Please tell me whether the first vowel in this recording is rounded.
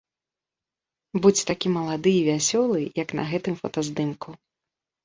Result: yes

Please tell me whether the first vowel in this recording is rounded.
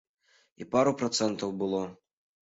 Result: no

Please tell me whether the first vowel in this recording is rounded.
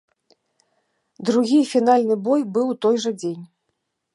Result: yes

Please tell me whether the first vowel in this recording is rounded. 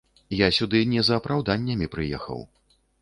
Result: no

